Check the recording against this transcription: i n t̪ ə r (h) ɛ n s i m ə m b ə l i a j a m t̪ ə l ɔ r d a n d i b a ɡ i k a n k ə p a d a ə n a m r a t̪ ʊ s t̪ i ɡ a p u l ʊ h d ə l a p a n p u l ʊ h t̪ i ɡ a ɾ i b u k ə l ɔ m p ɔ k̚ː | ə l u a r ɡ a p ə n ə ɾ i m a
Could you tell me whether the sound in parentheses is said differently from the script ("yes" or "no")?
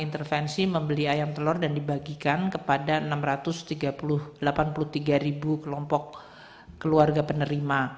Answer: yes